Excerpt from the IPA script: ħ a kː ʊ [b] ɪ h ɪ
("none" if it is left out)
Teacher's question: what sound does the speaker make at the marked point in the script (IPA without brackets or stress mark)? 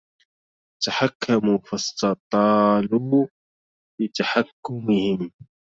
m